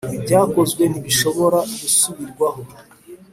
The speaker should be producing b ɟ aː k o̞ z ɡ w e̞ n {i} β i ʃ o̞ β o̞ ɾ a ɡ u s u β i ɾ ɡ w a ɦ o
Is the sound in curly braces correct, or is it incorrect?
correct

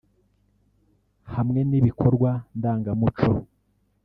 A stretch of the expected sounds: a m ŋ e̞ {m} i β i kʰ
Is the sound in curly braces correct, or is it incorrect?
incorrect: n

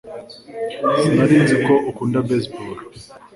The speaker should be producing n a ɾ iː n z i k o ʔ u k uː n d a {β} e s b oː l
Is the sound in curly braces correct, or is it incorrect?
incorrect: b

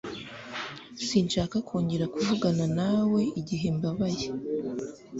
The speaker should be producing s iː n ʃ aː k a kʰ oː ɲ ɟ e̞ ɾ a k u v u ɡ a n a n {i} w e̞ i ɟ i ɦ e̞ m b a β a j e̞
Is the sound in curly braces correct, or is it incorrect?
incorrect: a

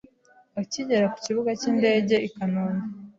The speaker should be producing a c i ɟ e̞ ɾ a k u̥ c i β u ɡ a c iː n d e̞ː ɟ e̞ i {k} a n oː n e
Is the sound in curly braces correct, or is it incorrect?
correct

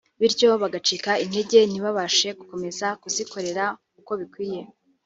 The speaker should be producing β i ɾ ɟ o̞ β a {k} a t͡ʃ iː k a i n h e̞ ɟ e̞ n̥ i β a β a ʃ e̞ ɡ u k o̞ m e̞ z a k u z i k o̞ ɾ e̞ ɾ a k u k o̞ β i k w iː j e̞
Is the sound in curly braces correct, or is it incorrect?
incorrect: ɡ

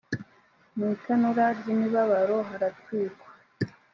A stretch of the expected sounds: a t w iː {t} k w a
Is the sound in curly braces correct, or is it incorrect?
incorrect: none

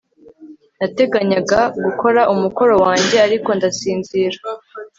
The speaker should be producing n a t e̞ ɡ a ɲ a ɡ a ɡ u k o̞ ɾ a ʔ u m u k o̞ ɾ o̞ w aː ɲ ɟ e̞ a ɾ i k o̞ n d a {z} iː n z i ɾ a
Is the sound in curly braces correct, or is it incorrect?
incorrect: s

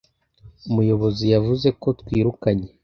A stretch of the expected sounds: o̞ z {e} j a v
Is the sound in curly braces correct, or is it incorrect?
incorrect: i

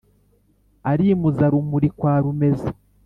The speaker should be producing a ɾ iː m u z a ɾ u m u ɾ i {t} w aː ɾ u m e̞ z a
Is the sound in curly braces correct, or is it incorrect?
incorrect: k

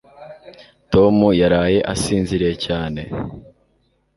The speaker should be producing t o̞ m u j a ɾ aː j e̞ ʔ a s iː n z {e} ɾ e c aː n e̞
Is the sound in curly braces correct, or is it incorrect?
incorrect: i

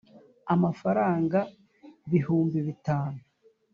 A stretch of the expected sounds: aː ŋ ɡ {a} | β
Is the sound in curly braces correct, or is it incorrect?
correct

